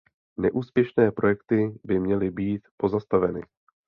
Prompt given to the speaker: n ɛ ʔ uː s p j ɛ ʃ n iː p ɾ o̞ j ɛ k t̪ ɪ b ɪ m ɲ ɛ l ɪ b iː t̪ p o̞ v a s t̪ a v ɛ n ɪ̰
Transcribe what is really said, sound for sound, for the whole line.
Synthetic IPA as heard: n ɛ ʔ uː s p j ɛ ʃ n ɛː p ɾ o̞ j ɛ k t̪ ɪ b ɪ m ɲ ɛ l ɪ b iː t̪ p o̞ z a s t̪ a v ɛ n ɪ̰